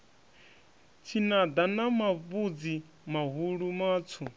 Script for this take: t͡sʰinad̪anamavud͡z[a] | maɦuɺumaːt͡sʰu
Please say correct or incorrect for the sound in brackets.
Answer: incorrect